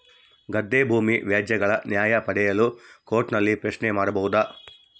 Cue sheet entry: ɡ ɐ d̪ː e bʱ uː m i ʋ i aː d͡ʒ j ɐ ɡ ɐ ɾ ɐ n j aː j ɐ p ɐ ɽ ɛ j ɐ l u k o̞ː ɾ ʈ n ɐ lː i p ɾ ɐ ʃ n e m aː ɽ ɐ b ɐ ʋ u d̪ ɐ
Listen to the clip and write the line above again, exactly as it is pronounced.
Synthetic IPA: ɡ ɐ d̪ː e bʱ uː m i ʋ j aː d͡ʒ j ɐ ɡ ɐ ɭ ɐ n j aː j ɐ p ɐ ɽ ɛ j ɐ l u k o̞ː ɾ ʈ n ɐ lː i p ɾ ɐ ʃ n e m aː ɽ ɐ b ɐ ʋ u d̪ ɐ